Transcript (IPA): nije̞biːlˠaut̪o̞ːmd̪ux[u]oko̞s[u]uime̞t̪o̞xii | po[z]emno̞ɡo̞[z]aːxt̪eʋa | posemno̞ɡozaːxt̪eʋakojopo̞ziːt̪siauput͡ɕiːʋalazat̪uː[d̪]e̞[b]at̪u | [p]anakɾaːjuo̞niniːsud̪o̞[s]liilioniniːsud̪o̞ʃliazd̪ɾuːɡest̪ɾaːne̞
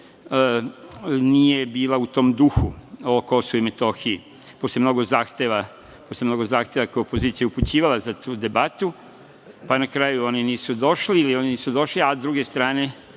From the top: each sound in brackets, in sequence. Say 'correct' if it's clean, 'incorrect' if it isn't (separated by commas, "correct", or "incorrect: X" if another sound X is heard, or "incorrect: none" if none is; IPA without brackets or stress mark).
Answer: correct, incorrect: o, incorrect: s, correct, correct, correct, correct, incorrect: ʃ